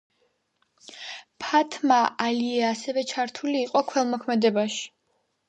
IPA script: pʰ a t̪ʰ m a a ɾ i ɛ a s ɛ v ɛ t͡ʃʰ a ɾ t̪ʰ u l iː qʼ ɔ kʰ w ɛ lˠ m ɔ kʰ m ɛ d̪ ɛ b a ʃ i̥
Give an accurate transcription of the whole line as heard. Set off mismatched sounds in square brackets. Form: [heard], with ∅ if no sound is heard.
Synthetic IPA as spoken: pʰ a t̪ʰ m a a [l] i ɛ a s ɛ v ɛ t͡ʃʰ a ɾ t̪ʰ u l iː qʼ ɔ kʰ w ɛ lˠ m ɔ kʰ m ɛ d̪ ɛ b a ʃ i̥